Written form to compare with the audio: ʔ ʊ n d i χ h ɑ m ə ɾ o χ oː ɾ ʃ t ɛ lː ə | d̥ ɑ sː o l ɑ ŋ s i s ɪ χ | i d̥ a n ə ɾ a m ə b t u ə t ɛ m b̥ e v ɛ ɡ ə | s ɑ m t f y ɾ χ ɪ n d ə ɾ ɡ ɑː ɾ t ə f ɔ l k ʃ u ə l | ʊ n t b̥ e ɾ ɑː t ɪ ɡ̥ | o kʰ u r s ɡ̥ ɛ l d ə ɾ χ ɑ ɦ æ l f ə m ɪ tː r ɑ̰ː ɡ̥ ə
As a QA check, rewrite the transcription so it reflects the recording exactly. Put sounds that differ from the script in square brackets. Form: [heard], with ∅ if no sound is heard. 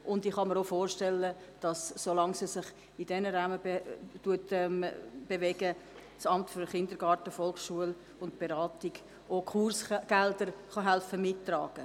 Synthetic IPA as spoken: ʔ ʊ n d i χ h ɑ m ə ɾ o [f] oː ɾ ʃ t ɛ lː ə | d̥ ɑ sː o l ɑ ŋ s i s ɪ χ | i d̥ [ɛ] n ə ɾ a m ə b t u ə t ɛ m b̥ e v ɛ ɡ ə | s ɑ m t f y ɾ χ ɪ n d ə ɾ ɡ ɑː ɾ t ə f ɔ l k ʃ u ə l | ʊ n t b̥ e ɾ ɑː t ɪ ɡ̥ | o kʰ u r s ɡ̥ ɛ l d ə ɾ χ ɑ ɦ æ l f ə m ɪ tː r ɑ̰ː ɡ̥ ə